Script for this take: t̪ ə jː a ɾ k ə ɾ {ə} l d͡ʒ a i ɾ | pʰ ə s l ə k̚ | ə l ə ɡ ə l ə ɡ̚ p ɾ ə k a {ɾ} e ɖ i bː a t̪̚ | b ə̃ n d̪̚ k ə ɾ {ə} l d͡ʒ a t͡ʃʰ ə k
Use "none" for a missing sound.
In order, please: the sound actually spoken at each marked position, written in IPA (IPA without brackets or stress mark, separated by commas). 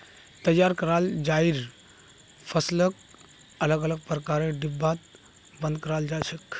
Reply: a, ɾ, a